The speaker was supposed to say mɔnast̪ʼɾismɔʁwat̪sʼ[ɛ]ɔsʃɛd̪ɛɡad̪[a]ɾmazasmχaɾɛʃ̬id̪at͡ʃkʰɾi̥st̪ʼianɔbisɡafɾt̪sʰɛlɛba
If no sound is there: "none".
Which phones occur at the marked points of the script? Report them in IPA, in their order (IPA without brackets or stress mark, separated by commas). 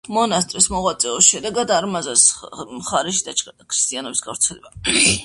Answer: ɛ, a